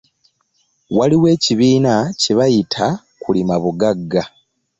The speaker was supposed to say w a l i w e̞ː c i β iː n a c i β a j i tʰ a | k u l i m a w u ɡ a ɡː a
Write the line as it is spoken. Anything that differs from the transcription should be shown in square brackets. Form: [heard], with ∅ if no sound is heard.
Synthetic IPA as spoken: w a l i w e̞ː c i β iː n a c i β a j i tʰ a | k u l i m a [β] u ɡ a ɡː a